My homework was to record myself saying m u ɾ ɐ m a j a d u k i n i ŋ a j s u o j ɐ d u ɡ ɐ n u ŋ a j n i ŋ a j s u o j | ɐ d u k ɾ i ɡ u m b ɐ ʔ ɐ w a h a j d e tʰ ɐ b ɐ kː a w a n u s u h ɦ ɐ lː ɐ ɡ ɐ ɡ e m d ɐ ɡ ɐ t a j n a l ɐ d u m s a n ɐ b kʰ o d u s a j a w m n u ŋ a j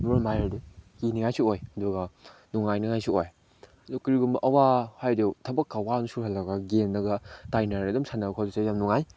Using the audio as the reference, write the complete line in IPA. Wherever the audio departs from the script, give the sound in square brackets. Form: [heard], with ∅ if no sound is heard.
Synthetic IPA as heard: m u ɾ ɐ m a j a d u k i n i ŋ a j s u o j ɐ d u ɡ ɐ n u ŋ a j n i ŋ a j s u o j | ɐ d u k ɾ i ɡ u m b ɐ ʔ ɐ w a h a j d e tʰ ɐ b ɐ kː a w a n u s u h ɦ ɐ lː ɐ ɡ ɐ ɡ e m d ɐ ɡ ɐ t a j n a [ɾ] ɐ d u m s a n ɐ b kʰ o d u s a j a [∅] m n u ŋ a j